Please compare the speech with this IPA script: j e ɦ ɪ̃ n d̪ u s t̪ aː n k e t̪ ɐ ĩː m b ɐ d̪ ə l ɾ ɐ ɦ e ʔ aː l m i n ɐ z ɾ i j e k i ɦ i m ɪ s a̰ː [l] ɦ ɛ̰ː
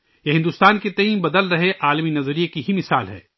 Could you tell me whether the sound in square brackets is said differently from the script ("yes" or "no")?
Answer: no